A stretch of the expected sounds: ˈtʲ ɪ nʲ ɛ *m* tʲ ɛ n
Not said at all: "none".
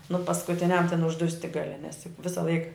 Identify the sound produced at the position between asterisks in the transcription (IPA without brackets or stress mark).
m